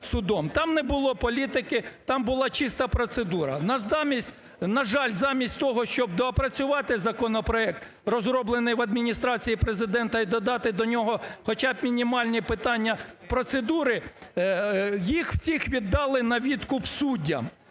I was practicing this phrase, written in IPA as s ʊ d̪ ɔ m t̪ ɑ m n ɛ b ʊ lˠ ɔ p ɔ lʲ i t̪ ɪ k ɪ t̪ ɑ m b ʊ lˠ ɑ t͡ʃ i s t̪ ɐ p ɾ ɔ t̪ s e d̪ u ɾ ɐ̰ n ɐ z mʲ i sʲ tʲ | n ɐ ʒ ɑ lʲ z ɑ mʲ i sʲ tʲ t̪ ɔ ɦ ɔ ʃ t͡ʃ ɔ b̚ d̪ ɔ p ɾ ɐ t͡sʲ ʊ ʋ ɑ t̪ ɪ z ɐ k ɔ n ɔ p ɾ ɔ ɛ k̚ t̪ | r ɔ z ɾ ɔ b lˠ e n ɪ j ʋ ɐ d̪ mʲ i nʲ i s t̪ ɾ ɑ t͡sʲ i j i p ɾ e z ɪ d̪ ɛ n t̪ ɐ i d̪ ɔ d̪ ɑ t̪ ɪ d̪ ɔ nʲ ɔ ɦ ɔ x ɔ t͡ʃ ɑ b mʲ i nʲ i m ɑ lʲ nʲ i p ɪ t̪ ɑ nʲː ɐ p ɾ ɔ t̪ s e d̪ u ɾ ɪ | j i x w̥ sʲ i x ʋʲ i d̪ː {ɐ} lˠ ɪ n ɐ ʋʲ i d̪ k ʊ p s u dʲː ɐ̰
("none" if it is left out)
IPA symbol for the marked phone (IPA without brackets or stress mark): ɑ